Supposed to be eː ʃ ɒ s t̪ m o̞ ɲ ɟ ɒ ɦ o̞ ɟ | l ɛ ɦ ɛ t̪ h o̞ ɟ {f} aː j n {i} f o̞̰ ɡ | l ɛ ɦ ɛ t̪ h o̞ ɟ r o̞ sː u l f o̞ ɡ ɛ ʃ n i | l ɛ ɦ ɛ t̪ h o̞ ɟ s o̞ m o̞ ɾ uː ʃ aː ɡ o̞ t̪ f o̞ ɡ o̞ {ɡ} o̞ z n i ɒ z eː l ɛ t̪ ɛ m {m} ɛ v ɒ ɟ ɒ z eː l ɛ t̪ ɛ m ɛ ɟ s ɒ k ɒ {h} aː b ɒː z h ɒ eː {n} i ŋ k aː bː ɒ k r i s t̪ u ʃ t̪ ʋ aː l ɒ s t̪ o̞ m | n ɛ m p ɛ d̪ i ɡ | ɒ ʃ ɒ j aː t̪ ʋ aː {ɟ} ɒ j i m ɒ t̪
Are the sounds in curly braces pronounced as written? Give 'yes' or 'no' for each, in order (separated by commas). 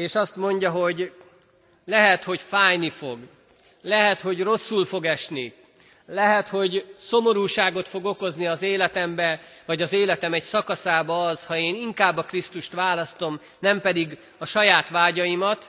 yes, yes, no, no, no, yes, yes